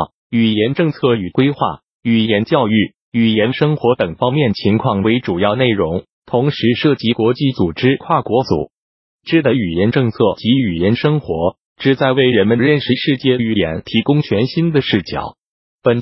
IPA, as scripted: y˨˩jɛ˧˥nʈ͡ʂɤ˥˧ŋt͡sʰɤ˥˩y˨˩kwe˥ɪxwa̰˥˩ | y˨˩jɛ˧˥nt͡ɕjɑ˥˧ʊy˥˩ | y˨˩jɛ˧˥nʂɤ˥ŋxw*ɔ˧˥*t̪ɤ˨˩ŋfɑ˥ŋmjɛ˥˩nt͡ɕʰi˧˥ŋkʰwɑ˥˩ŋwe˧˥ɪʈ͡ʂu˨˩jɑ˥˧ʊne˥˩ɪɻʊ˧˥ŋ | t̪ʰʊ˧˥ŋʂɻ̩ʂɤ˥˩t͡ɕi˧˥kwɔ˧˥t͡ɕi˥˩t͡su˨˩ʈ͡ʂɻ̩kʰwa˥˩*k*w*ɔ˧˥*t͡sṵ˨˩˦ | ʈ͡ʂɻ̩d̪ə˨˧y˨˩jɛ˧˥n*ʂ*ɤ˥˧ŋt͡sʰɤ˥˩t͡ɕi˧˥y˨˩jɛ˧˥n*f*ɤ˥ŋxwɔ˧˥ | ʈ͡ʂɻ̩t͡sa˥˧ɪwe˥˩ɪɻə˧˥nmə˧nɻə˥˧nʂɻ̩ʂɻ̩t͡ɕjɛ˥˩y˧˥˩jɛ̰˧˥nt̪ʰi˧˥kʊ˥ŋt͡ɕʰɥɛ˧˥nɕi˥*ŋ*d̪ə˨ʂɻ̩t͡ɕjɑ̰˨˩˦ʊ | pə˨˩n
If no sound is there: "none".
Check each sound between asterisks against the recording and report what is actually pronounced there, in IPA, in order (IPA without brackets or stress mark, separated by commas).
ɔ˧˥, k, ɔ˧˥, ʈ͡ʂ, ʂ, n